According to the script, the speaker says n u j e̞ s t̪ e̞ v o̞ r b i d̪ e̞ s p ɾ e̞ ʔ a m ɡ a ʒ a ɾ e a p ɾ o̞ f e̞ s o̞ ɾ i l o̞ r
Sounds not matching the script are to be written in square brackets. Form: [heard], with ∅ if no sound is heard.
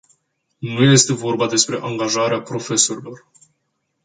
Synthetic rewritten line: n u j e̞ s t̪ e̞ v o̞ r b [a] d̪ e̞ s p ɾ e̞ ʔ a [ŋ] ɡ a ʒ a ɾ e a p ɾ o̞ f e̞ s o̞ ɾ i l o̞ r

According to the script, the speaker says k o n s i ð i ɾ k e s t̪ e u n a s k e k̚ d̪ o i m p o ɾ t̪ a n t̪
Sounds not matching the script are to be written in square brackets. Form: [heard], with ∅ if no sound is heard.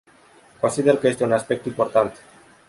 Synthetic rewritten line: k o n s i ð [e] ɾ k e s t̪ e u n a s [p] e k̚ [t̪] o i m p o ɾ t̪ a n t̪

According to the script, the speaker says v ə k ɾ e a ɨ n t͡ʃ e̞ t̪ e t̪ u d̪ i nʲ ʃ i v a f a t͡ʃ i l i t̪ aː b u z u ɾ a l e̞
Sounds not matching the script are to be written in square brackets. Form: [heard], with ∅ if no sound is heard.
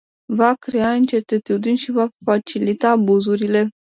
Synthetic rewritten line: v [a] k ɾ e a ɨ n t͡ʃ e̞ t̪ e t̪ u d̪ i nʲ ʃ i v a f a t͡ʃ i l i t̪ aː b u z u ɾ [i] l e̞

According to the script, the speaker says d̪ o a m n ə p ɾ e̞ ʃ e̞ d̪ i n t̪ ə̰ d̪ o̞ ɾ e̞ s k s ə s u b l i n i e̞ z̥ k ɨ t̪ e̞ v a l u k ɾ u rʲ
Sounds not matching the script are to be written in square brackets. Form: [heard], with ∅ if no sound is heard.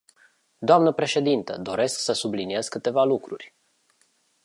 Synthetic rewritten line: d̪ o a m n ə p ɾ e̞ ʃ e̞ d̪ i n t̪ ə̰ d̪ o̞ ɾ e̞ s k s ə s u b l i n i e̞ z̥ k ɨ t̪ e̞ v a l u k ɾ u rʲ

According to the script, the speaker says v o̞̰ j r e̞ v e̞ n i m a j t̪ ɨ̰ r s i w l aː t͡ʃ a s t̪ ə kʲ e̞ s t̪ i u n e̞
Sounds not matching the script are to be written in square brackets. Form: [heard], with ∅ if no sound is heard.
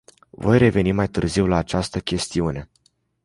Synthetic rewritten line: v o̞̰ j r e̞ v e̞ n i m a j t̪ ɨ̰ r [z] i w l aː t͡ʃ a s t̪ ə kʲ e̞ s t̪ i u n e̞

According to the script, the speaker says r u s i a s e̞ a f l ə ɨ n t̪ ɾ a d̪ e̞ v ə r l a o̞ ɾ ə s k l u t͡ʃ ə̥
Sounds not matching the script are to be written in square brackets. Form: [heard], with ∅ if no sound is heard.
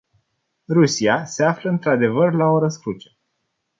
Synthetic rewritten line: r u s i a s e̞ a f l ə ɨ n t̪ ɾ a d̪ e̞ v ə r l a o̞ ɾ ə s k [ɾ] u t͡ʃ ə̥

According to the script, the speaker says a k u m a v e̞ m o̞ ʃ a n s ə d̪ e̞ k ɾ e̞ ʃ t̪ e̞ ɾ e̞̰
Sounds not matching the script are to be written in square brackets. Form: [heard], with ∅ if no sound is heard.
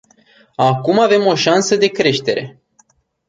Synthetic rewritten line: a k u m a v e̞ m o̞ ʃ a n s ə d̪ e̞ k ɾ e̞ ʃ t̪ e̞ ɾ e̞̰

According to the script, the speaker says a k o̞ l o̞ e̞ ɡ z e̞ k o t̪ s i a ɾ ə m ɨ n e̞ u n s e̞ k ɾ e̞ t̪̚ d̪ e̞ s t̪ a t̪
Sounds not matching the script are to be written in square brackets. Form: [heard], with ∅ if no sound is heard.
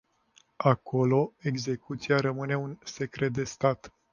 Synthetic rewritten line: a k o̞ l o̞ e̞ ɡ z e̞ k [u] t̪ s i a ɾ ə m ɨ n e̞ u n s e̞ k ɾ e̞ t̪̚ d̪ e̞ s t̪ a t̪

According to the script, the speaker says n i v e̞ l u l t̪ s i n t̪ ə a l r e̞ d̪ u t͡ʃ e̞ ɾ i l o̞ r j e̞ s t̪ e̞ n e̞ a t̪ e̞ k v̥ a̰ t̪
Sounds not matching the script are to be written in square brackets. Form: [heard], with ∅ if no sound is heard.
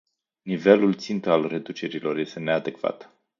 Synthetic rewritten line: n i v e̞ l u l t̪ s i n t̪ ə a l r e̞ d̪ u t͡ʃ e̞ ɾ i l o̞ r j e̞ s t̪ e̞ n e̞ a [d̪] e̞ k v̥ a̰ t̪

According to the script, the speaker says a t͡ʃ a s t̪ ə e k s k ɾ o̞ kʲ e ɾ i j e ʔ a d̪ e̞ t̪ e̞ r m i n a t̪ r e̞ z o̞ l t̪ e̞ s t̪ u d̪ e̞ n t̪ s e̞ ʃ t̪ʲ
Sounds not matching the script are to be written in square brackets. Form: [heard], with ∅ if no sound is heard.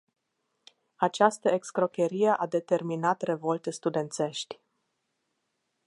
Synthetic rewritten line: a t͡ʃ a s t̪ ə e k s k ɾ o̞ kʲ e ɾ i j e ʔ a d̪ e̞ t̪ e̞ r m i n a t̪ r e̞ [v] o̞ l t̪ e̞ s t̪ u d̪ e̞ n t̪ s e̞ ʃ t̪ʲ

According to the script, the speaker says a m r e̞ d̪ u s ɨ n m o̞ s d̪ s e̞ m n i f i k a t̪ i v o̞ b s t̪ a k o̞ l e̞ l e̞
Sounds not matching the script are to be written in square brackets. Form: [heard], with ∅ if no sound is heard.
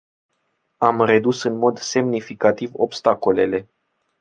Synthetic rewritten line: a m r e̞ d̪ u s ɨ n m o̞ [∅] d̪ s e̞ m n i f i k a t̪ i v o̞ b s t̪ a k o̞ l e̞ l e̞

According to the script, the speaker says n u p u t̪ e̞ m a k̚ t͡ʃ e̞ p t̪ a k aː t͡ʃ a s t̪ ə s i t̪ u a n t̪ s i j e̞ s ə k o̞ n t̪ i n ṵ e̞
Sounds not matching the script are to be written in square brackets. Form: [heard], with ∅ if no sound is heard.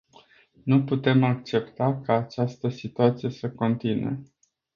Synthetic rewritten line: n u p u t̪ e̞ m a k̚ t͡ʃ e̞ p t̪ a k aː t͡ʃ a s t̪ ə s i t̪ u a [∅] t̪ s i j e̞ s ə k o̞ n t̪ i n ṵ e̞

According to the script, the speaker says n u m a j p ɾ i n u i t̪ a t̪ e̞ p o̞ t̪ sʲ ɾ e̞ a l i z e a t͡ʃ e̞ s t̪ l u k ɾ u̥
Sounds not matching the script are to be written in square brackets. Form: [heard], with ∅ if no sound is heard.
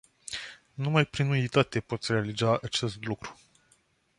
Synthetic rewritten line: n u m a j p ɾ i n u i t̪ a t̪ e̞ p o̞ t̪ sʲ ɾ e̞ a l i z [a] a t͡ʃ e̞ s t̪ l u k ɾ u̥

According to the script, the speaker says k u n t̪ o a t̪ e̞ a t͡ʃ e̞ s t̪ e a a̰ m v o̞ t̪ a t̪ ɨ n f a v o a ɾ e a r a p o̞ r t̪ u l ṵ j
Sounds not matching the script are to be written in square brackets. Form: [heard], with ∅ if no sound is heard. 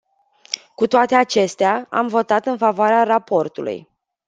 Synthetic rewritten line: k u [∅] t̪ o a t̪ e̞ a t͡ʃ e̞ s t̪ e a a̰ m v o̞ t̪ a t̪ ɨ n f a v o a ɾ e a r a p o̞ r t̪ u l ṵ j

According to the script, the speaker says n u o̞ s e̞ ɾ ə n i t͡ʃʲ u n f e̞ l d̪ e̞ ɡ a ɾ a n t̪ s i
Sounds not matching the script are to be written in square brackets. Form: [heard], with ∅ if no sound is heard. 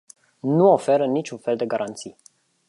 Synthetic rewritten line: n u o̞ [f] e̞ ɾ ə n i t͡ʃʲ u n f e̞ l d̪ e̞ ɡ a ɾ a n t̪ s i

